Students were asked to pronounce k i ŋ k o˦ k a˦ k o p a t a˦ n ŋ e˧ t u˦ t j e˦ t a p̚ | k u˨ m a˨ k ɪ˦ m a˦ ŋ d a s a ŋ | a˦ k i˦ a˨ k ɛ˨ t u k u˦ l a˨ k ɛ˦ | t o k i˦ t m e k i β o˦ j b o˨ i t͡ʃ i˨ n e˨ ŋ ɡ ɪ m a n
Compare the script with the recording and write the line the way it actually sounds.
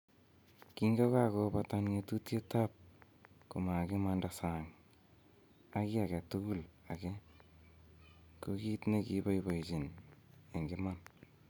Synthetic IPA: k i ŋ ɡ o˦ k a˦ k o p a t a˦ n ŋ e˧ t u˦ t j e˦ t a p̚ | k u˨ m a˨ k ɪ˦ m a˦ n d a s a ŋ | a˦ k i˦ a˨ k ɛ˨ t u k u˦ l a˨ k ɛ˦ | k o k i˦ t n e k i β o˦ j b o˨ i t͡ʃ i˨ n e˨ ŋ ɡ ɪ m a n

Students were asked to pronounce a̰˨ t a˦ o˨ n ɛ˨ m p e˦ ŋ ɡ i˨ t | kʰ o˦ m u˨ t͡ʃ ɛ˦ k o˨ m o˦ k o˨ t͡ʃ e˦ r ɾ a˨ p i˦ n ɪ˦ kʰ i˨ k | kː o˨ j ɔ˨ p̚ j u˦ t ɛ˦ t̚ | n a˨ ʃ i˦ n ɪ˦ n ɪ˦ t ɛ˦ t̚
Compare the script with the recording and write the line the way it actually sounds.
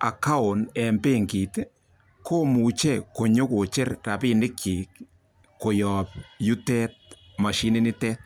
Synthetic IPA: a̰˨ k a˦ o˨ n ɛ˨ m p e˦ ŋ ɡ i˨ t | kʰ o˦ m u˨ t͡ʃ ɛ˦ k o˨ ɲ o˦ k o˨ t͡ʃ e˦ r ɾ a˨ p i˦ n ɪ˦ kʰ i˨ k | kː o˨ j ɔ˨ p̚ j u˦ t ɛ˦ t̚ | m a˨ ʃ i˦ n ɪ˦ n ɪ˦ t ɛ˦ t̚

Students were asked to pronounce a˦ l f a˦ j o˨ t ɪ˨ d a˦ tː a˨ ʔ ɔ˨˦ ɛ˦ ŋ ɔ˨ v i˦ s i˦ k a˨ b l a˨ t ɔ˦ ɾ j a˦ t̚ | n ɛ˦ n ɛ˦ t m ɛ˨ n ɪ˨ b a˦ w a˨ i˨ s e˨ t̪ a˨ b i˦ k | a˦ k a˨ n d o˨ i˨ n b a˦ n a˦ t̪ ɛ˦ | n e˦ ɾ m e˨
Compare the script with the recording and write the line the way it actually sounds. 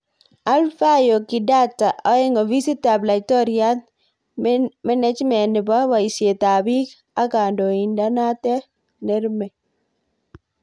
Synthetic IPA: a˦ l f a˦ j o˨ k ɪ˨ d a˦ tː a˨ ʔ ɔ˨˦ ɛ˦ ŋ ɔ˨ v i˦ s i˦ t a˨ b l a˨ t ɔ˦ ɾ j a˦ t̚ | m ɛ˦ n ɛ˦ t͡ʃ m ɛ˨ n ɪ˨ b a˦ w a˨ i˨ s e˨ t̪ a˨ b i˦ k | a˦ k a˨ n d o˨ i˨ n d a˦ n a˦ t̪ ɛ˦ | n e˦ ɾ m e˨

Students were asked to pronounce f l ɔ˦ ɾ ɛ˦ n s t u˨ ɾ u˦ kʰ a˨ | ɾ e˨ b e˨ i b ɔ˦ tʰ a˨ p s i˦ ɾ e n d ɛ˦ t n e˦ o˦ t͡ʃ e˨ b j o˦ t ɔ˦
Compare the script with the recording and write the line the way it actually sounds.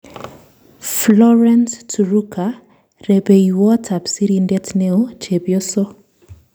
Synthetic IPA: f l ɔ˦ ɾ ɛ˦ n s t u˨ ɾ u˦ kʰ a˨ | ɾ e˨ b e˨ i w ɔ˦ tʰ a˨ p s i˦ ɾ i n d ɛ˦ t n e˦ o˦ t͡ʃ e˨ b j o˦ s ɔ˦

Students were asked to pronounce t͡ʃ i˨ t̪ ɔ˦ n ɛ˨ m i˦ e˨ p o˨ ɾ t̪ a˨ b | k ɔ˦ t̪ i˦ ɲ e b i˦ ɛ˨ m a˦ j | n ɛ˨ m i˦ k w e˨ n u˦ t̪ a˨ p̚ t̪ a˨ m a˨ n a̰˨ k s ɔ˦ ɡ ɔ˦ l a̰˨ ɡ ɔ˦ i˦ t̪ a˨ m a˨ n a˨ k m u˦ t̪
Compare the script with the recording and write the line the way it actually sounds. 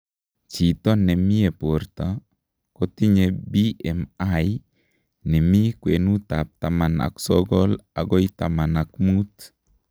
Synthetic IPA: t͡ʃ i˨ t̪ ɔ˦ n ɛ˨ m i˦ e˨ p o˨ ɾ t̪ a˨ | k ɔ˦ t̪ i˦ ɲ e b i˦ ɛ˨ m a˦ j | n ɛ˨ m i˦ k w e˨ n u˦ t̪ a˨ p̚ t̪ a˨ m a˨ n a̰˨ k s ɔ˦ ɡ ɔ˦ l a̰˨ ɡ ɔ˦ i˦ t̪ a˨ m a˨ n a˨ k m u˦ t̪

